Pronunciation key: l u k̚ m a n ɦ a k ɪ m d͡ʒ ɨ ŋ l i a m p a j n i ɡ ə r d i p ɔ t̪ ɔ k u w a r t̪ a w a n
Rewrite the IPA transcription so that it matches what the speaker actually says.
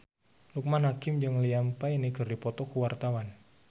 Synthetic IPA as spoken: l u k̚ m a n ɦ a k ɪ m d͡ʒ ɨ ŋ l i a m p a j n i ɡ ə r d i p ɔ t̪ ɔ k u w a r t̪ a w a n